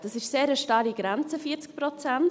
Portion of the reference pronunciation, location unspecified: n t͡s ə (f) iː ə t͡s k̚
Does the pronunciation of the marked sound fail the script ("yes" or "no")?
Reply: no